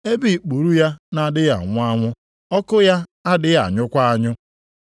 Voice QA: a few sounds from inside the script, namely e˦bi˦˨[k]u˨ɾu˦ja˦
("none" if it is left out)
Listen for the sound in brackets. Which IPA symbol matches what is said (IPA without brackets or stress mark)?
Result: k͡p